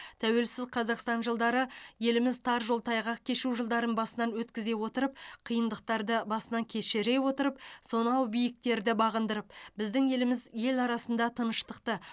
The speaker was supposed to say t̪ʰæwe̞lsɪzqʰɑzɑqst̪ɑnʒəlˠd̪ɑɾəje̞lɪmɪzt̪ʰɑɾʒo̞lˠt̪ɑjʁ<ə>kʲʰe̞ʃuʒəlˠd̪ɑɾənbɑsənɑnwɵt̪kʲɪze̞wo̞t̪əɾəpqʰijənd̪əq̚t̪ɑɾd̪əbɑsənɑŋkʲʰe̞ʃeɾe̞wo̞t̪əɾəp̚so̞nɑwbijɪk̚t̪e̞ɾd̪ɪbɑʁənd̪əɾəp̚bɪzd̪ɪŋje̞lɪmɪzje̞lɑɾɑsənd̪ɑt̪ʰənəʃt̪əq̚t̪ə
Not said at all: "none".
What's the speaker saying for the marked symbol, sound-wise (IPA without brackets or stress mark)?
ɑ